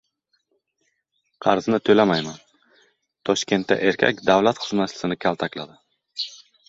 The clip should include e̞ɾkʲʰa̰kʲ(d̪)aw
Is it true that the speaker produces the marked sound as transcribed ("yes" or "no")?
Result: yes